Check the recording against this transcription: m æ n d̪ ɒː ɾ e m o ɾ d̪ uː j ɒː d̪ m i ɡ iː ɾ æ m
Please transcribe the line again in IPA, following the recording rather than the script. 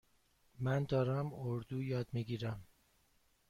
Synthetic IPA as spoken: m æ n d̪ ɒː ɾ æ m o ɾ d̪ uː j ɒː d̪ m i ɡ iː ɾ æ m